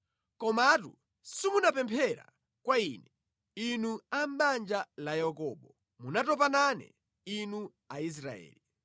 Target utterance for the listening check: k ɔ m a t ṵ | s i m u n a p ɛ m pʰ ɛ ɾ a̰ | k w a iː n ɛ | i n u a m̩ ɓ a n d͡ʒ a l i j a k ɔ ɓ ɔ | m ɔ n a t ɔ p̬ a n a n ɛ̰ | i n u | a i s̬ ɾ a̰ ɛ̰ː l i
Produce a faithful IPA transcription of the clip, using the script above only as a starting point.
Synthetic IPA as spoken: k ɔ m a t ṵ | s i m u n a p ɛ m pʰ ɛ ɾ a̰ | k w a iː n ɛ | i n u a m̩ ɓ a n d͡ʒ a l a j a k ɔ ɓ ɔ | m u n a t ɔ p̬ a n a n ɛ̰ | i n u | a i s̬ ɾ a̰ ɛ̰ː l i